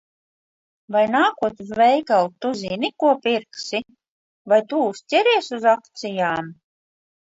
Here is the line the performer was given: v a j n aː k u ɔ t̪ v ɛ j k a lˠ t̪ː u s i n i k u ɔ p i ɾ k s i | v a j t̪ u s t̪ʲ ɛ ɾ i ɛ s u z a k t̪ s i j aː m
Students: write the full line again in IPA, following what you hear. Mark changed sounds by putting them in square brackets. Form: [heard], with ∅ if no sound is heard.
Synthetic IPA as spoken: v a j n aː k u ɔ t̪ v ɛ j k a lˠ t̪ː u [z] i n i k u ɔ p i ɾ k s i | v a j t̪ u s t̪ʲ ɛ ɾ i ɛ s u z a k t̪ s i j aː m